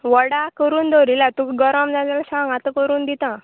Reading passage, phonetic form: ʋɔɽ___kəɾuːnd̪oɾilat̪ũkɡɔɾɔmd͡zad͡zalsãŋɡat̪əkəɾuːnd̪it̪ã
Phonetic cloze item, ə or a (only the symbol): a